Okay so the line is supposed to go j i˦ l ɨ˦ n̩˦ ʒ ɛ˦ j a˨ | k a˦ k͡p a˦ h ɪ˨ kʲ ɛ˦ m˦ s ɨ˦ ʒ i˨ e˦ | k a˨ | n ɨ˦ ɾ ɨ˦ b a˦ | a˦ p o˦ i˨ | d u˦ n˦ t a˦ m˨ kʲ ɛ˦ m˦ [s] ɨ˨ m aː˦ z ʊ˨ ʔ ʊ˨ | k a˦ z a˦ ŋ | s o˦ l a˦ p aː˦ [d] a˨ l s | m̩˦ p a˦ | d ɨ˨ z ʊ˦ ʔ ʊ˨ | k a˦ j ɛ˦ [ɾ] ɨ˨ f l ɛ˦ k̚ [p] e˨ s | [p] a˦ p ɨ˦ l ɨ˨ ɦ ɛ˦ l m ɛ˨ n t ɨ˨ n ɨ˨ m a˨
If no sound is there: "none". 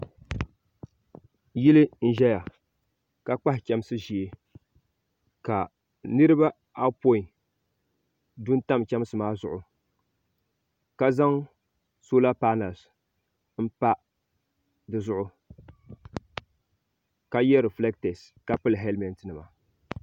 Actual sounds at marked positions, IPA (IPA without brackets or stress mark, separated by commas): s, n, ɾ, t, k